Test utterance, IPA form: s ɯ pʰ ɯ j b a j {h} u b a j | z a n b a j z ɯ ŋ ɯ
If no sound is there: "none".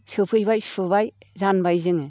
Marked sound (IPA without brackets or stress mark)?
s